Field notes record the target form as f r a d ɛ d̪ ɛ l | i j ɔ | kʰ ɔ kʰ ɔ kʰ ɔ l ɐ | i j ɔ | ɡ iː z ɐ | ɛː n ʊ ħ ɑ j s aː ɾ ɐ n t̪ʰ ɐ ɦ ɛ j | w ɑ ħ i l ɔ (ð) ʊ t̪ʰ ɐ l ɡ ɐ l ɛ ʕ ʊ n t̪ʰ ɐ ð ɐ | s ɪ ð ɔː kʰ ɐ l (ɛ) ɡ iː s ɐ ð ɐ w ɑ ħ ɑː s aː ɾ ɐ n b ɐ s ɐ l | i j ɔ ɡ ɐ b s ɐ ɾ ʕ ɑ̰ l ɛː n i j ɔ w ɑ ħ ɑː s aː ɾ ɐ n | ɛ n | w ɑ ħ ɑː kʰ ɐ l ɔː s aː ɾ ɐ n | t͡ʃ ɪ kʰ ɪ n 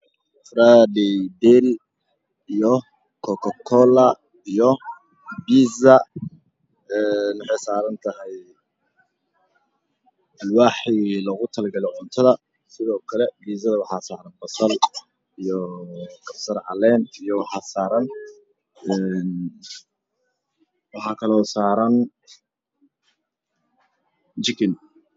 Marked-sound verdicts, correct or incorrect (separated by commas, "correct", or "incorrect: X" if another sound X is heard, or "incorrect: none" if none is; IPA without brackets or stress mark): incorrect: ɣ, correct